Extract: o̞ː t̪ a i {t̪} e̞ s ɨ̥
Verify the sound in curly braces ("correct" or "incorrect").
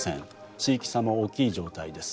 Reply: incorrect